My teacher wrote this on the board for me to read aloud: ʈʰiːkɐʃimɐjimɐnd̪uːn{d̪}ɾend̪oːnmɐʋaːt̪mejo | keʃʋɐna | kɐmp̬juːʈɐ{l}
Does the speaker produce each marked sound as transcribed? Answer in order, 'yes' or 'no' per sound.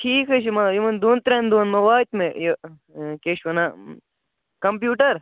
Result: no, no

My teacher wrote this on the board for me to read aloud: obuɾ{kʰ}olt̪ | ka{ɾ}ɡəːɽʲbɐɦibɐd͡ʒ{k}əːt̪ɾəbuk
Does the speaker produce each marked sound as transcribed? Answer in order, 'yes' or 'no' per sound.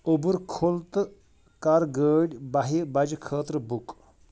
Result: yes, yes, no

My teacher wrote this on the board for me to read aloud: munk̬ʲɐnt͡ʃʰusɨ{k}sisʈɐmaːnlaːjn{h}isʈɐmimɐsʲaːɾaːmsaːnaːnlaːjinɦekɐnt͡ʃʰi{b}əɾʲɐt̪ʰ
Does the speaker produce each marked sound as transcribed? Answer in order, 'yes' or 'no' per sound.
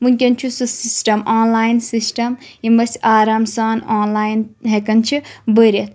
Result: no, no, yes

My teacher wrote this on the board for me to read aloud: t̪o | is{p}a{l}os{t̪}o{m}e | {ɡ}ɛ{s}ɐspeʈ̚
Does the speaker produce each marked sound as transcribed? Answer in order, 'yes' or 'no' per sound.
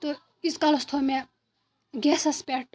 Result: no, yes, no, yes, yes, yes

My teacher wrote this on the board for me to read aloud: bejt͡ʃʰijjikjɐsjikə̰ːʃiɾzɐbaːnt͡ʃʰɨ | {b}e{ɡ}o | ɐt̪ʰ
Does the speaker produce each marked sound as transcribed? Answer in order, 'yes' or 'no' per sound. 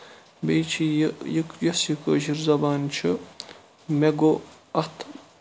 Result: no, yes

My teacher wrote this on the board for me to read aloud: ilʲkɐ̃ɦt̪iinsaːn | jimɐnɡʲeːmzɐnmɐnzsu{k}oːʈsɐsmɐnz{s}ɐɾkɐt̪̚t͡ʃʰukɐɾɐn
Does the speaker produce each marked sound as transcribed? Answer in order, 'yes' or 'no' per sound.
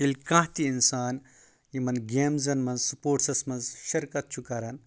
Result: no, no

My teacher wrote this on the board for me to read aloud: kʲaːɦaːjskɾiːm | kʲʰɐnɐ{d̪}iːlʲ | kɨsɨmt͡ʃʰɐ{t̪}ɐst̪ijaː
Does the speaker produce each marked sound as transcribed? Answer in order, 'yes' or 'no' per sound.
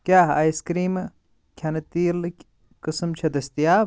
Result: no, no

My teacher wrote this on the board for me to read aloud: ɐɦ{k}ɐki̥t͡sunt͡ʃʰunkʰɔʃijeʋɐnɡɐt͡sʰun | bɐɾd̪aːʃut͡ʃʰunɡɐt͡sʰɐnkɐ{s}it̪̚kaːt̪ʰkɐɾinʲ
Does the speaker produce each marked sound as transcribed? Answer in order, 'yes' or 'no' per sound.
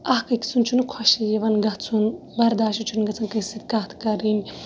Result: yes, yes

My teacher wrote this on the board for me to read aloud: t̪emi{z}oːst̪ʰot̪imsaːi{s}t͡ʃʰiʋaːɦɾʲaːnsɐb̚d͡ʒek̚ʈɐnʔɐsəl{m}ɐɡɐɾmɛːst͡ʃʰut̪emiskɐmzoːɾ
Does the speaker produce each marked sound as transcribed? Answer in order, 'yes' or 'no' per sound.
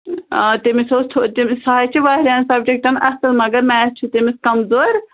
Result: no, no, yes

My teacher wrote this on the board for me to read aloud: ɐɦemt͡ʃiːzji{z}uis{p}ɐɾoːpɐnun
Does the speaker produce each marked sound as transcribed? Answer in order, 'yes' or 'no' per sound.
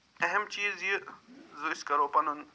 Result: yes, no

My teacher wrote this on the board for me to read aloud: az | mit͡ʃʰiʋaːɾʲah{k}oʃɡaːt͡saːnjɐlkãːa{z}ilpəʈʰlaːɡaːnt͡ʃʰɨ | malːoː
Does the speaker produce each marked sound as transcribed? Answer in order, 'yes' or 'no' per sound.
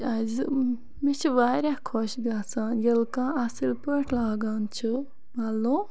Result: no, no

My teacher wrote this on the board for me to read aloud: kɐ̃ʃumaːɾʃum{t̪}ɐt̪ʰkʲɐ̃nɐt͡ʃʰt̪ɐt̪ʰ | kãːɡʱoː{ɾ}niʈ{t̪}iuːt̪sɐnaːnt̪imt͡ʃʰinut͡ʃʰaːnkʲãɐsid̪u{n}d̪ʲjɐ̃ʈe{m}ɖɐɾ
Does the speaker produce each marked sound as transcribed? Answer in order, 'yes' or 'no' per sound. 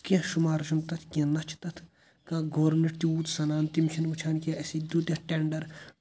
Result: yes, yes, yes, no, no

